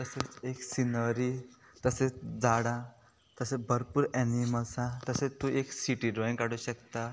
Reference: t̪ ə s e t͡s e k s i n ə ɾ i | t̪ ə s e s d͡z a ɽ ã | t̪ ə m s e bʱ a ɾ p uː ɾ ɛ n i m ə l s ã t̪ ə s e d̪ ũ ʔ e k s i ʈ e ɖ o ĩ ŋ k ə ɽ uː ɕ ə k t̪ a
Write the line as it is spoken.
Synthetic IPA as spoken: t̪ ə s e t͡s e k s i n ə ɾ i | t̪ ə s e t͡s d͡z a ɽ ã | t̪ ə s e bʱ ə ɾ p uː ɾ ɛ n i m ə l s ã t̪ ə s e t̪ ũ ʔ e k s i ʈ i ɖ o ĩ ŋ k a ɽ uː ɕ ə k t̪ a